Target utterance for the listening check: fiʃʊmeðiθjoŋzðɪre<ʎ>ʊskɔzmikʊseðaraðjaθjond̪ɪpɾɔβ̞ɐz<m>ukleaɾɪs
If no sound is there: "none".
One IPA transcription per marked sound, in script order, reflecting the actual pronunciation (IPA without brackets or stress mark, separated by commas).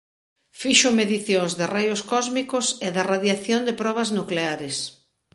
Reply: j, n